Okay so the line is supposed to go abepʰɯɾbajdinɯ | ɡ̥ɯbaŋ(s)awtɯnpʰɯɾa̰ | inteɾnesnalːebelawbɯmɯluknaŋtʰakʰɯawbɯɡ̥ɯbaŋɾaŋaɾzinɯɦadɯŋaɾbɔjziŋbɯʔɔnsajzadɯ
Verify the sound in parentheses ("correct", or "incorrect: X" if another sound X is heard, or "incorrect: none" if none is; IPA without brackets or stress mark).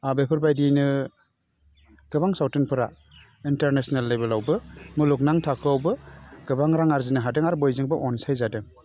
correct